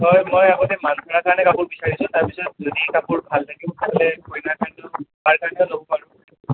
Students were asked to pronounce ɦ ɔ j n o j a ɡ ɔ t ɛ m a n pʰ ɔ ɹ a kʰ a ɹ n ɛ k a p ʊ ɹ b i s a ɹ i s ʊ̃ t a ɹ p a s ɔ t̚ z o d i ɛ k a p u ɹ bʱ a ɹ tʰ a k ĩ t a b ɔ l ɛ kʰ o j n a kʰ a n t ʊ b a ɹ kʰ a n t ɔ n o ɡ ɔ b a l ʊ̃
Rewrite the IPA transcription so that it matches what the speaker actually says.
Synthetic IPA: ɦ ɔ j m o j a ɡ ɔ t ɛ m a n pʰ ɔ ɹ a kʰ a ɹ n ɛ k a p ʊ ɹ b i s a ɹ i s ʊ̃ t a ɹ p i s ɔ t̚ z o d i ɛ k a p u ɹ bʱ a l tʰ a k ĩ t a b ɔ l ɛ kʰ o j n a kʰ a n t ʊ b a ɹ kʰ a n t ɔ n o b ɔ p a ɹ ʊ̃